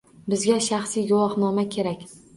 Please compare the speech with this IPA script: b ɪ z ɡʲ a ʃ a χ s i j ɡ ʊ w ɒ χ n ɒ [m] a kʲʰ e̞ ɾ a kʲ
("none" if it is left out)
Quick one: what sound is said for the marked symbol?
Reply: m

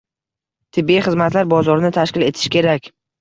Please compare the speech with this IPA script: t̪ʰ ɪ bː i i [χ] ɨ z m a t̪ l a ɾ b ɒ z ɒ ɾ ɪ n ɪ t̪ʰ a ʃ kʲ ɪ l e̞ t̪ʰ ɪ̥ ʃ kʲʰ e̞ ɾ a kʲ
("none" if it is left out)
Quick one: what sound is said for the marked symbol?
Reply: χ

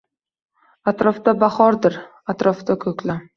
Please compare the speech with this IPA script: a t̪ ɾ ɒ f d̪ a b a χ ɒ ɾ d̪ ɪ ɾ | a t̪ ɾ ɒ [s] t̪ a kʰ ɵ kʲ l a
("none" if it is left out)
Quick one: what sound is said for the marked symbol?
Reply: f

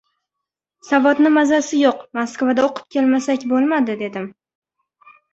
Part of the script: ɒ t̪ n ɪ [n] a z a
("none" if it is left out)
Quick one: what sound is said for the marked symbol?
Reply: m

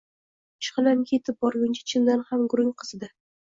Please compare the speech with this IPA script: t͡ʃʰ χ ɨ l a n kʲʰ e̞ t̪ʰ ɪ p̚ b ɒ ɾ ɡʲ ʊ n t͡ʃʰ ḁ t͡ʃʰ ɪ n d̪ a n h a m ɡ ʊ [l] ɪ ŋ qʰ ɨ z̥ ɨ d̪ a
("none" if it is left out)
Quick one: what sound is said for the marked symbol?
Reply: ɾ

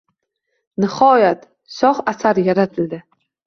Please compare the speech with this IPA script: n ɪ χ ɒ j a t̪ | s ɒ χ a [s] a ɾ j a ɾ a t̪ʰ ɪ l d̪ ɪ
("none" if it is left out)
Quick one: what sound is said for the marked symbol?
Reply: s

